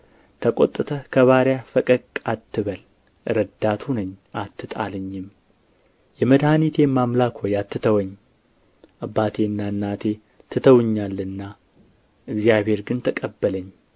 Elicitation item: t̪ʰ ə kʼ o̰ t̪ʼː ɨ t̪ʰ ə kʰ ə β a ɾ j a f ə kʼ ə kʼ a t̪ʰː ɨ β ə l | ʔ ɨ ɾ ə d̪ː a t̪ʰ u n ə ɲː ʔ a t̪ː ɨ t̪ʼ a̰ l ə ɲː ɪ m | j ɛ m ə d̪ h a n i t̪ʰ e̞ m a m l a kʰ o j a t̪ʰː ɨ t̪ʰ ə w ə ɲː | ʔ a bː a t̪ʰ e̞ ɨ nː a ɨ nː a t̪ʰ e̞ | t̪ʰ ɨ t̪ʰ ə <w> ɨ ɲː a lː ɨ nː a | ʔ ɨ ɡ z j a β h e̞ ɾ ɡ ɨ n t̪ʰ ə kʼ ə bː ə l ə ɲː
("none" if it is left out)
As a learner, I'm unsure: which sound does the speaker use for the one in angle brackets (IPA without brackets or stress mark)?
w